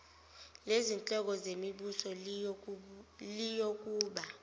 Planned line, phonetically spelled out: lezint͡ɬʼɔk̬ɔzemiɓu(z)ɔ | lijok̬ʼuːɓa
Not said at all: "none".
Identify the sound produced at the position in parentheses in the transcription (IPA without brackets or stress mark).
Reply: s